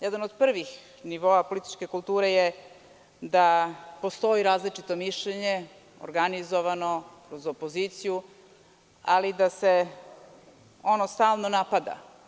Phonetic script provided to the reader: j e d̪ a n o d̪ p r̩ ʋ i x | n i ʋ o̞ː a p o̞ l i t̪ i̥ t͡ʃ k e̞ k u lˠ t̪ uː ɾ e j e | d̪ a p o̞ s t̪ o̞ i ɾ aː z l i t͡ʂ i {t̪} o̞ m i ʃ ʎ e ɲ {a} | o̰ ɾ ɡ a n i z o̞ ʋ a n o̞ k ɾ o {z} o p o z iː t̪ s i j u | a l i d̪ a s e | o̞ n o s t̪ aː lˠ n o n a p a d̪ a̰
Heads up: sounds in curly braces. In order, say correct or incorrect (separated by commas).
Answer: correct, incorrect, correct